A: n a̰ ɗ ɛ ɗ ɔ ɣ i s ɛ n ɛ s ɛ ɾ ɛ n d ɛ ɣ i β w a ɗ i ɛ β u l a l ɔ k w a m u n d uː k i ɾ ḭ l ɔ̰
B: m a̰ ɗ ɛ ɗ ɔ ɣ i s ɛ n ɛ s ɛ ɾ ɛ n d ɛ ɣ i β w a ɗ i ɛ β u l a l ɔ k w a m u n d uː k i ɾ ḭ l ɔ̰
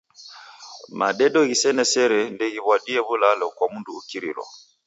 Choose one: B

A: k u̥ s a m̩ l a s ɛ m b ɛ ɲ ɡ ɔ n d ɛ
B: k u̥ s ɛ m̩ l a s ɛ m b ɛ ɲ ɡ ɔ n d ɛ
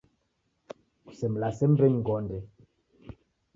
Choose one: B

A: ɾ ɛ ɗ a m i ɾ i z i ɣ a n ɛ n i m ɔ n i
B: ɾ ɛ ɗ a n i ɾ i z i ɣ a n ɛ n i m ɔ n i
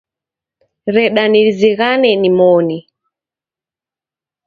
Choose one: B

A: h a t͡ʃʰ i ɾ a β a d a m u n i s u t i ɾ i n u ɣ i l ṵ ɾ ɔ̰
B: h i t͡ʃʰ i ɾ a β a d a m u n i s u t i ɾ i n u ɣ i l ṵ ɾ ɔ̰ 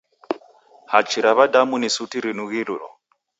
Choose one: A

